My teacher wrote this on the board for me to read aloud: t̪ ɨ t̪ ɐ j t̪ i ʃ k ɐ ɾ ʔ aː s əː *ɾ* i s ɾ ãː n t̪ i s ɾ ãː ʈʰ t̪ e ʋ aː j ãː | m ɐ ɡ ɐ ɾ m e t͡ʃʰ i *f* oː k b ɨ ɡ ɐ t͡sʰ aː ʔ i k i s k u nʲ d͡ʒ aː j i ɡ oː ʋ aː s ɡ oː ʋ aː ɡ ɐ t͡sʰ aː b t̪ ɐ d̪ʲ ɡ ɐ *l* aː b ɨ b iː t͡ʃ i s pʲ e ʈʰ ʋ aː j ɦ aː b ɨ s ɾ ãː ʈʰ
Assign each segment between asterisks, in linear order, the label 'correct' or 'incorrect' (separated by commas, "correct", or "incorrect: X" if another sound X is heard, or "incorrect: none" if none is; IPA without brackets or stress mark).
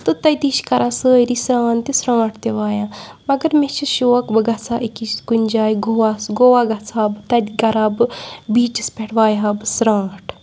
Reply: correct, incorrect: ʃ, incorrect: ɾ